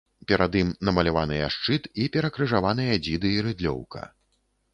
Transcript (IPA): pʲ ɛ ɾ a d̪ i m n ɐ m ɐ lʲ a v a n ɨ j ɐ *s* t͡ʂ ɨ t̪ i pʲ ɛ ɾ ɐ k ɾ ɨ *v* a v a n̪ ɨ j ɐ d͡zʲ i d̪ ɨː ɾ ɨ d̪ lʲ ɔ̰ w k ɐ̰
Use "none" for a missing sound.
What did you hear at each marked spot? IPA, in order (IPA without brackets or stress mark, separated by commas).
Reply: ʂ, ʐ